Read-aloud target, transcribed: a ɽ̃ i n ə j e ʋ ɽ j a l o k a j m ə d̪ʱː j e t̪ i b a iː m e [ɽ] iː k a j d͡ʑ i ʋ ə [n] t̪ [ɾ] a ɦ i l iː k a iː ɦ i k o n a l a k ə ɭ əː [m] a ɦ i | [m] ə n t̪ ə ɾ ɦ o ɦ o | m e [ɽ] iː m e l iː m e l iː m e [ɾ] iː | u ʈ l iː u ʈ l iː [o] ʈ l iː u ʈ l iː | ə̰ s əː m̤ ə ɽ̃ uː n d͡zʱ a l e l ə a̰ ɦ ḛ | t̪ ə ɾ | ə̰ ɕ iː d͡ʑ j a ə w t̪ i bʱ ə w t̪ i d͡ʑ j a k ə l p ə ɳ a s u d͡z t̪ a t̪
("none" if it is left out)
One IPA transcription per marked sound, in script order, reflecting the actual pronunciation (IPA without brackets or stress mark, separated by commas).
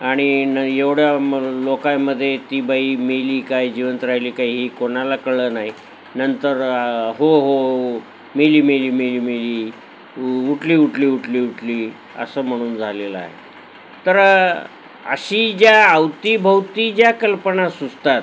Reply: l, n, ɾ, n, n, l, l, u